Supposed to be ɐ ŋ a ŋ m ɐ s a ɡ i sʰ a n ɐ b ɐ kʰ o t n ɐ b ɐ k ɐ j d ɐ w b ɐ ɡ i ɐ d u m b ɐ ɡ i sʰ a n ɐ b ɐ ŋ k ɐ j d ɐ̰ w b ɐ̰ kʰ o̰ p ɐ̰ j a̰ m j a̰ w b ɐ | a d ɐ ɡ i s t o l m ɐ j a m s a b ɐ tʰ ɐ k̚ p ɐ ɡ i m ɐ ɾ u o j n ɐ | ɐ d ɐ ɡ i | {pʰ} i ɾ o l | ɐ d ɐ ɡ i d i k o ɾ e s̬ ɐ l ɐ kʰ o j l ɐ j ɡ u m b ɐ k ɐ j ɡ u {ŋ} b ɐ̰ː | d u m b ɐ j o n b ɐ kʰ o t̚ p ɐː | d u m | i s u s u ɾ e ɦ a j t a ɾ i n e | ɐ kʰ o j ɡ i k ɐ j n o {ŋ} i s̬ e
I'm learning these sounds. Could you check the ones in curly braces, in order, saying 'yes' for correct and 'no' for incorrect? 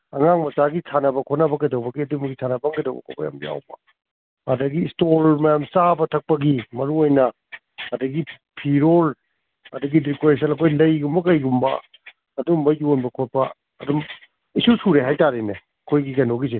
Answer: yes, no, no

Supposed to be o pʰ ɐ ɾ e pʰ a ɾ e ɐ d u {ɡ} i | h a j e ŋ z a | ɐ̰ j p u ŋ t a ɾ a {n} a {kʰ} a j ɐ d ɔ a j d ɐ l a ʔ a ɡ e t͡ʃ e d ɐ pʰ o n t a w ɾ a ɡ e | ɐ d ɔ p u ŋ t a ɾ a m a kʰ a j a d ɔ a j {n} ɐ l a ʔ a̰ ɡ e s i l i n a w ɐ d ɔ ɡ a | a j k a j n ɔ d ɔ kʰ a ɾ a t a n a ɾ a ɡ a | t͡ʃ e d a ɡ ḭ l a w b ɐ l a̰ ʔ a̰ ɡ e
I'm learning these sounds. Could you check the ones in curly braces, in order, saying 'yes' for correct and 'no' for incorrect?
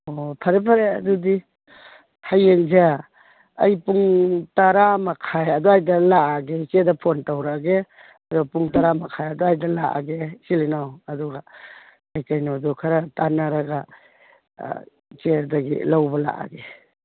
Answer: no, no, yes, no

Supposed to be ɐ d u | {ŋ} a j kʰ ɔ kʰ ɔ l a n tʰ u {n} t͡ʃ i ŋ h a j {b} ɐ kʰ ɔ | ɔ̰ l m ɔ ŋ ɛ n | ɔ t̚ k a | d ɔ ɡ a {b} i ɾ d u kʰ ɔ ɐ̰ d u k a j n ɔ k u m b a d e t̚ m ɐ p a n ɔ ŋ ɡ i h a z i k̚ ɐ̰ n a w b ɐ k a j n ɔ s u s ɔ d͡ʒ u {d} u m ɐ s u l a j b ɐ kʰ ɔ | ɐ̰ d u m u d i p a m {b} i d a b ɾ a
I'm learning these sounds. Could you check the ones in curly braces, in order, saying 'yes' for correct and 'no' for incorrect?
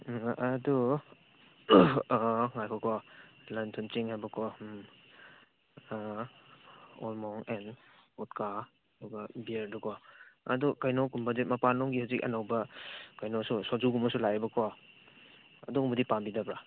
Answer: yes, yes, yes, yes, no, yes

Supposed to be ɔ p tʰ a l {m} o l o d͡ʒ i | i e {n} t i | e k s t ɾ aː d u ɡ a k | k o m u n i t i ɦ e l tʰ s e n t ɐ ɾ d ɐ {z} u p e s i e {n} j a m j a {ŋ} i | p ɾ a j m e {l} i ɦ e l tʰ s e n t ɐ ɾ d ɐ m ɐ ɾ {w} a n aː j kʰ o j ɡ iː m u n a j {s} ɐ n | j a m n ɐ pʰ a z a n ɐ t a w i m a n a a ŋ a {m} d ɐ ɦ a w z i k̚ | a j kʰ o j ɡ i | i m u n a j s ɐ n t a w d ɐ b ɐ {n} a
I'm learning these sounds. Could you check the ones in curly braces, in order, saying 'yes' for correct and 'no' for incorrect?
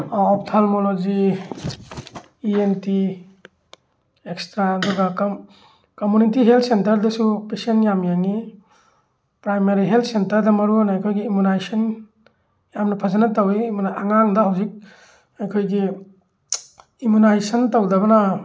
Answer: yes, yes, no, yes, yes, no, no, yes, no, yes

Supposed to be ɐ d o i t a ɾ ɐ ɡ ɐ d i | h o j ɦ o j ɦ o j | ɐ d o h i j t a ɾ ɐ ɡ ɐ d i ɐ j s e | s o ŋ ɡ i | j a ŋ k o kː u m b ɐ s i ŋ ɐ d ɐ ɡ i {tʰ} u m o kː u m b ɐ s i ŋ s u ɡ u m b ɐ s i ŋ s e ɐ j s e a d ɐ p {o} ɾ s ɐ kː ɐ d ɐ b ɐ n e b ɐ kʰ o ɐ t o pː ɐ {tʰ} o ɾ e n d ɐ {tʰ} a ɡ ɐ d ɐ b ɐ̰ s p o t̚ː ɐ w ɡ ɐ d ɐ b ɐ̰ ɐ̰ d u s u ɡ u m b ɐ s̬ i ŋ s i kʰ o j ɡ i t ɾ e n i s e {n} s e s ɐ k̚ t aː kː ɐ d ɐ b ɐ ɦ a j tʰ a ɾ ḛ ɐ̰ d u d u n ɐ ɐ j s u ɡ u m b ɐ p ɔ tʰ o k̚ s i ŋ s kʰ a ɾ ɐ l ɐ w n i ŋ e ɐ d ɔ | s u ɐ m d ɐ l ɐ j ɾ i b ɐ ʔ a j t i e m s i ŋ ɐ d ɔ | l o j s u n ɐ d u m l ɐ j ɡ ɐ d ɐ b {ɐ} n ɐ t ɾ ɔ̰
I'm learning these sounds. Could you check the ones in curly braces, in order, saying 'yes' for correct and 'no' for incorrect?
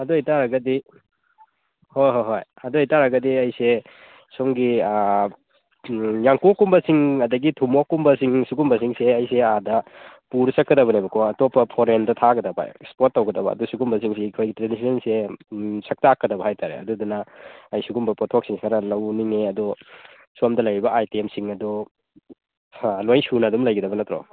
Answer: yes, no, no, yes, yes, yes

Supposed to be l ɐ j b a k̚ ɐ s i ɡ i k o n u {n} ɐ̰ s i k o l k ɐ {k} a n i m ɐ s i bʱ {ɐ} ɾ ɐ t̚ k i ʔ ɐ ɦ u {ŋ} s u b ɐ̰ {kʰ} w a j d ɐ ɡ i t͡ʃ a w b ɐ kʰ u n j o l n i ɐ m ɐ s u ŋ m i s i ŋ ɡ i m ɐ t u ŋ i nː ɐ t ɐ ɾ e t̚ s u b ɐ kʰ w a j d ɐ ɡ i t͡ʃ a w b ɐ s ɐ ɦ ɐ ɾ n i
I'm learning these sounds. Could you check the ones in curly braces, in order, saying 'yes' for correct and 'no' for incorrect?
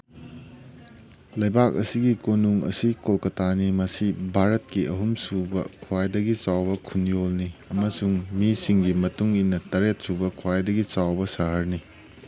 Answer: no, no, no, no, yes

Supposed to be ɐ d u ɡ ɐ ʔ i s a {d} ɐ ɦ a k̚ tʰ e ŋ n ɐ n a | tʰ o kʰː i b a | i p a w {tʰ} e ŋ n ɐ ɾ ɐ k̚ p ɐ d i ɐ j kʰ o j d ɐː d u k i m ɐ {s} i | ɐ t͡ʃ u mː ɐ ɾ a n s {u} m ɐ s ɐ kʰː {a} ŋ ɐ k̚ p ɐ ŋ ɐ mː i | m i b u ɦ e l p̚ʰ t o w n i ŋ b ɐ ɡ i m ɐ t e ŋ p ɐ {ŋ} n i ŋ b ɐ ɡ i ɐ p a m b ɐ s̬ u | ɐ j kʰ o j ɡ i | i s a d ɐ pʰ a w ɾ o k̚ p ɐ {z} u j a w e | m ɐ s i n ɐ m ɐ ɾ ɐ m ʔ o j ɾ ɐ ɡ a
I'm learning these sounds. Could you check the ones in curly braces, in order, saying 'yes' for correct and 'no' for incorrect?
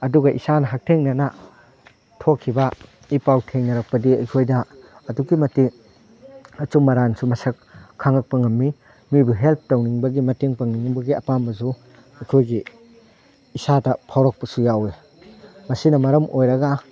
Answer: no, yes, no, yes, yes, yes, no

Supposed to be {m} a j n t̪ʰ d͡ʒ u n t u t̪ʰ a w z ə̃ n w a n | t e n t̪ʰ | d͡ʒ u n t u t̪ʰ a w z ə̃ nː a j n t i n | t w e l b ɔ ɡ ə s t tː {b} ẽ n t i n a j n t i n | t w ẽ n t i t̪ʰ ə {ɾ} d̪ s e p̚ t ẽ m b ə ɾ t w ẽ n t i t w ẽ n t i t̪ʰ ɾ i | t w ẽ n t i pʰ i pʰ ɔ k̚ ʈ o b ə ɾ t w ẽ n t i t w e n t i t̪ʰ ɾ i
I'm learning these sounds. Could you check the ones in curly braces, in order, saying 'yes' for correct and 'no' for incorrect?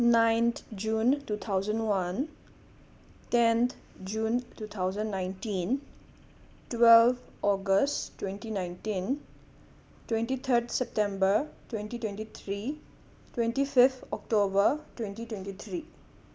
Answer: no, no, yes

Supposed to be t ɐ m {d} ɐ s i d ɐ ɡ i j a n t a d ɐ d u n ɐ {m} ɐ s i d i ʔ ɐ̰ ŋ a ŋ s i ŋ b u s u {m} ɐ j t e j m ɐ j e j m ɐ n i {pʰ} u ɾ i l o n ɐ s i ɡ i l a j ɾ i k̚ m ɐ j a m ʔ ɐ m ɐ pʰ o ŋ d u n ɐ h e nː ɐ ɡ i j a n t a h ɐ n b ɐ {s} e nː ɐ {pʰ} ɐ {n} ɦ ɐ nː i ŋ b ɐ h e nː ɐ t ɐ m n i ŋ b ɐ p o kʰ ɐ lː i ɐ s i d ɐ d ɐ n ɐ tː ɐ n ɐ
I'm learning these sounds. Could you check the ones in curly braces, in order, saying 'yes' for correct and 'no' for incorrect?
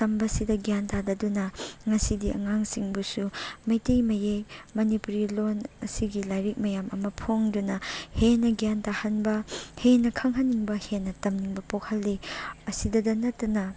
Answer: no, no, yes, no, no, no, no

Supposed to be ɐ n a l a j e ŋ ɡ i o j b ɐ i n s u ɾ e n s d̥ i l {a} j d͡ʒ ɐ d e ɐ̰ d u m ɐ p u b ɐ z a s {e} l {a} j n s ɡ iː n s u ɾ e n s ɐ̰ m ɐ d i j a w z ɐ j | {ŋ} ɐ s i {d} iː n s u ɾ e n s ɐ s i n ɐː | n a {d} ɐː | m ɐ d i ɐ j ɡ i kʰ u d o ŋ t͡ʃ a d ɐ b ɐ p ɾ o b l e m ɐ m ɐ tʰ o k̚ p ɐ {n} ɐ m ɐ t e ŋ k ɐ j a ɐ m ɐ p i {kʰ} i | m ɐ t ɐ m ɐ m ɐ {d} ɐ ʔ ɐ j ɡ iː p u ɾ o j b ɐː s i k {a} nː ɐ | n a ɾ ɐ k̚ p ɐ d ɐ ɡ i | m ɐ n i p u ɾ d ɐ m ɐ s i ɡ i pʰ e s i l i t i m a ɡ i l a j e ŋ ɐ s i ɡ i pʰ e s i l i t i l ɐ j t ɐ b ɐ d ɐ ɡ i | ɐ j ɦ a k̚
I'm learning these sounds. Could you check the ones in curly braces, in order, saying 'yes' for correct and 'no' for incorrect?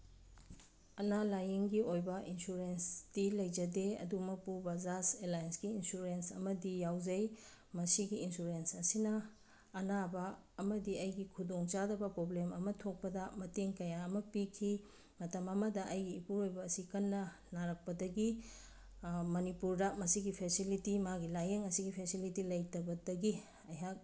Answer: no, yes, yes, no, no, no, no, yes, yes, no

